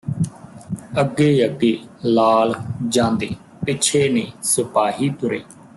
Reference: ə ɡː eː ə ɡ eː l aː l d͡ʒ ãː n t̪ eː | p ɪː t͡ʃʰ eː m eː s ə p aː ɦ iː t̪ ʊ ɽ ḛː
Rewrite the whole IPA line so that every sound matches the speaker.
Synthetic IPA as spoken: ə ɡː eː ə ɡ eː l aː l d͡ʒ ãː n d̪ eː | p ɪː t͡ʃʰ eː n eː s ə p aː ɦ iː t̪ ʊ ɾ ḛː

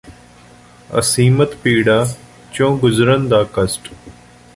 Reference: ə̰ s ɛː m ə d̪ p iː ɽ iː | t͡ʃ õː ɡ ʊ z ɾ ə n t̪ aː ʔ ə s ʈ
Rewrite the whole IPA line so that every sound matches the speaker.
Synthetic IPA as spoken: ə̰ s iː m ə t̪ p iː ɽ aː | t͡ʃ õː ɡ ʊ z ɾ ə n d̪ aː k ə s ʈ

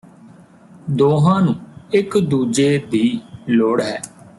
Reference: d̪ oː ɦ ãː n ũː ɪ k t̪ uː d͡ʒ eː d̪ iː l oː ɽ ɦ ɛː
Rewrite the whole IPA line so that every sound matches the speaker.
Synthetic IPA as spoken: d̪ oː ɦ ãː n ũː ɪ k d̪ uː d͡ʒ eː d̪ iː l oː ɽ ɦ ɛː

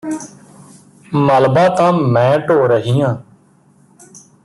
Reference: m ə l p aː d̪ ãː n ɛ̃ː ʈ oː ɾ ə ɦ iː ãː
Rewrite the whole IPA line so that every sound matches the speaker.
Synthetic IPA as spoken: m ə l b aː t̪ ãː m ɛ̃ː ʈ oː ɾ ə ɦ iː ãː

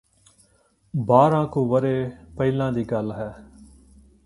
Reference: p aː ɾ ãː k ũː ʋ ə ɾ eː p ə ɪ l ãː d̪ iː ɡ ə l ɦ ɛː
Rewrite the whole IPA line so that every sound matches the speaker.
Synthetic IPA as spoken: b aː ɾ ãː k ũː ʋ ə ɾ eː p ə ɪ l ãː d̪ iː ɡ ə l ɦ ɛː

